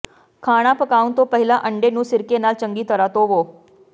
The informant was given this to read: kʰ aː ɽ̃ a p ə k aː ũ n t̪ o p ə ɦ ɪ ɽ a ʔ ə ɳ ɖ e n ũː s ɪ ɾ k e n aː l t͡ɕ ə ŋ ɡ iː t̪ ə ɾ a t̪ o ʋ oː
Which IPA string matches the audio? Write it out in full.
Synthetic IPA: kʰ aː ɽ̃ a p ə k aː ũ n t̪ o p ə ɦ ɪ l a ʔ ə ɳ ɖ e n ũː s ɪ ɾ k e n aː l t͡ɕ ə ŋ ɡ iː t̪ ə ɾ a t̪ o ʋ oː